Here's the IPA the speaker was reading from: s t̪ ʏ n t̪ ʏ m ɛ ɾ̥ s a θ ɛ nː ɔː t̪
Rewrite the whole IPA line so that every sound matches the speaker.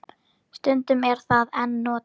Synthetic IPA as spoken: s t̪ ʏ n t̪ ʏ m ɛ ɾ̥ θ a ð ɛ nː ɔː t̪